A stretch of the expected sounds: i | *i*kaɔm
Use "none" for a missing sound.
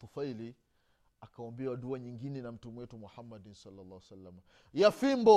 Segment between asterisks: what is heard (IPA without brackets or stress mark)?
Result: a